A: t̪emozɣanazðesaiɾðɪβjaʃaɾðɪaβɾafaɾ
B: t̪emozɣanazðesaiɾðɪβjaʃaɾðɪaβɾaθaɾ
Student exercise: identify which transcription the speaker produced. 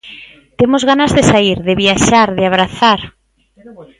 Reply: B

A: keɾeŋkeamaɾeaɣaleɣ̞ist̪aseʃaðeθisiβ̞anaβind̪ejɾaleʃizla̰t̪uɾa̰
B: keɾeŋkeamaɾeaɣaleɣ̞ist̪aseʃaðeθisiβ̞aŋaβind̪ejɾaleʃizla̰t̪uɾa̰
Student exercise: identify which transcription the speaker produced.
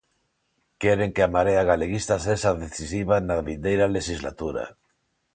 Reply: A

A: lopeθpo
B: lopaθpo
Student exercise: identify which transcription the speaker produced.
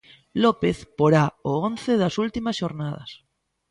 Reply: A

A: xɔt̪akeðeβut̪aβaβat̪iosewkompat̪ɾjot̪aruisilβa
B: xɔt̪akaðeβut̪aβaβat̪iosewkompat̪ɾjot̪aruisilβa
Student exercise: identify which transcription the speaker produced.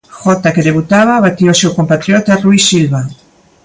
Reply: A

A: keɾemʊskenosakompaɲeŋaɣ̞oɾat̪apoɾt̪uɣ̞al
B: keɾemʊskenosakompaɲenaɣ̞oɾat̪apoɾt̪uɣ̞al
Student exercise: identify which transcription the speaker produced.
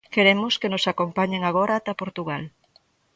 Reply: A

